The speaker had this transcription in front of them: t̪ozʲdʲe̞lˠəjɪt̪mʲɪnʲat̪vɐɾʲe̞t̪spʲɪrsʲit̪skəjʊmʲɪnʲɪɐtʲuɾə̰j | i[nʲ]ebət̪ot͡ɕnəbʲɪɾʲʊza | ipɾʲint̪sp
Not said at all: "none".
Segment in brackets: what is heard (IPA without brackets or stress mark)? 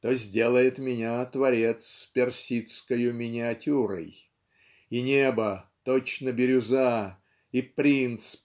nʲ